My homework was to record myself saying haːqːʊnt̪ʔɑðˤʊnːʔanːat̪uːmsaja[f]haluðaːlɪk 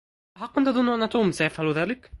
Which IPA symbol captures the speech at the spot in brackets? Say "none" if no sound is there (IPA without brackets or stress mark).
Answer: f